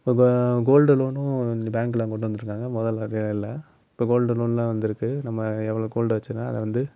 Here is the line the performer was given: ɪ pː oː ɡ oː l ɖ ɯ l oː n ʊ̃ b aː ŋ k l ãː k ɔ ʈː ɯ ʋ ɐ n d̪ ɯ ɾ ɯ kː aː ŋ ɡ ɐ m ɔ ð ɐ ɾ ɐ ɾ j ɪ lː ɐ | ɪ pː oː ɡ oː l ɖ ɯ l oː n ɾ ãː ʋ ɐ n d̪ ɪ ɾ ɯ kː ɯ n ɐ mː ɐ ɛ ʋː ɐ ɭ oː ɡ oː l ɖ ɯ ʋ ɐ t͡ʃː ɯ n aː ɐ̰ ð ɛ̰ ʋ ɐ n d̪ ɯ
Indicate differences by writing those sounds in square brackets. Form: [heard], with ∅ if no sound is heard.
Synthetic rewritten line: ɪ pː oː ɡ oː l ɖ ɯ l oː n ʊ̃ b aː ŋ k l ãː k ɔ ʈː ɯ ʋ ɐ n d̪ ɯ ɾ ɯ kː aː ŋ ɡ ɐ m ɔ ð ɐ [l] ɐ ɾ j ɪ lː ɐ | ɪ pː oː ɡ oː l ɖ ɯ l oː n [l] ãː ʋ ɐ n d̪ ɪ ɾ ɯ kː ɯ n ɐ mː ɐ ɛ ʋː ɐ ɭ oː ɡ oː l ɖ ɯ ʋ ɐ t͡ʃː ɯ n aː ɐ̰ ð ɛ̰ ʋ ɐ n d̪ ɯ